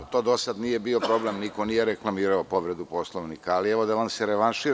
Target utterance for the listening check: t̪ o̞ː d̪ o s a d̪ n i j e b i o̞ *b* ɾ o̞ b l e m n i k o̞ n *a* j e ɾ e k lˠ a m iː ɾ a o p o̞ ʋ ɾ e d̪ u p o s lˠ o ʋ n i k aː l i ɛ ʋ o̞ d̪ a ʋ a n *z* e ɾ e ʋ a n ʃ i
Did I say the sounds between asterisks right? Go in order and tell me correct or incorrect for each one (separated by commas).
incorrect, incorrect, incorrect